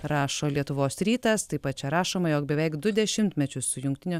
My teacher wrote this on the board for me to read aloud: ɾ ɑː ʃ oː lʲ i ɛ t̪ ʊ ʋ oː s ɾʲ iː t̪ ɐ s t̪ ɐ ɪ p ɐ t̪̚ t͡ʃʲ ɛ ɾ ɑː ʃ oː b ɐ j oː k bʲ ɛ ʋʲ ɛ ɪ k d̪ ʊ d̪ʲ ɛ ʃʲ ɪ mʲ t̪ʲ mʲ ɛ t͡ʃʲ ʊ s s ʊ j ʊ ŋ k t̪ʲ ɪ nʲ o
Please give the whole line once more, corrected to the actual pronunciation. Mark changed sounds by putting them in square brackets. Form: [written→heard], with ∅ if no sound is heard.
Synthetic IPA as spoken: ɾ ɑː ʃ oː lʲ i ɛ t̪ ʊ ʋ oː s ɾʲ iː t̪ ɐ s t̪ ɐ ɪ p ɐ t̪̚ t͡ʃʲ ɛ ɾ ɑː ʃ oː [b→m] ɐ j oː k bʲ ɛ ʋʲ ɛ ɪ k d̪ ʊ d̪ʲ ɛ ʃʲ ɪ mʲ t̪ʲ mʲ ɛ t͡ʃʲ ʊ s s ʊ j ʊ ŋ k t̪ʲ ɪ nʲ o